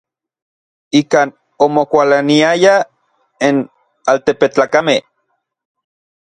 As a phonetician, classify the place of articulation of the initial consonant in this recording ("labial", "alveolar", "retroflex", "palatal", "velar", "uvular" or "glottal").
velar